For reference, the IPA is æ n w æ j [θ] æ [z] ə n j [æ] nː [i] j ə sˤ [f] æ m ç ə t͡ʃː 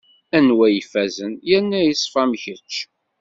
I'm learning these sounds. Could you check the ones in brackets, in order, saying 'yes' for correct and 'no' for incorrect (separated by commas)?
no, yes, yes, no, yes